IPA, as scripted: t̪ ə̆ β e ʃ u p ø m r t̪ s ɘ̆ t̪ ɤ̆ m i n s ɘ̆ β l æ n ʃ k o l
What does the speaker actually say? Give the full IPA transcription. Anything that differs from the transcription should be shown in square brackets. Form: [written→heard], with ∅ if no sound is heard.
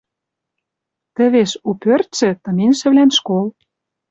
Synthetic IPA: t̪ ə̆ β e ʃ u p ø [m→∅] r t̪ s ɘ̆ t̪ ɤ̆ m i n [s→ʃ] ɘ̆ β l æ n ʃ k o l